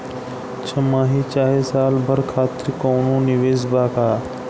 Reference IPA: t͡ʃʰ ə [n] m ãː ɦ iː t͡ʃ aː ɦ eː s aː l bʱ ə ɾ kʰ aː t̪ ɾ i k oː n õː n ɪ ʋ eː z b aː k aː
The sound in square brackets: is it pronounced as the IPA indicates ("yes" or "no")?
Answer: no